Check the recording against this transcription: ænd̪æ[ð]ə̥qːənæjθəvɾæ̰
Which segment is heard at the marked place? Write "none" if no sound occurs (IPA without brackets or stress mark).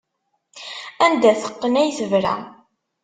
θ